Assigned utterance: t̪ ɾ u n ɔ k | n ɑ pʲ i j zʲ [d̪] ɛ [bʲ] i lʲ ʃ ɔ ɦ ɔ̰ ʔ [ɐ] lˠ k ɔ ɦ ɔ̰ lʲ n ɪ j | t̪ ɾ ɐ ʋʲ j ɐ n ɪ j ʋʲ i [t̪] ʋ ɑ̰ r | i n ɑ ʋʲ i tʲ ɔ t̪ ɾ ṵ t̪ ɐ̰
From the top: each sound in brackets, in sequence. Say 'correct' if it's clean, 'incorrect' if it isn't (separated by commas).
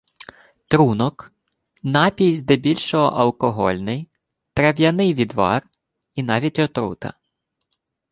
correct, correct, correct, incorrect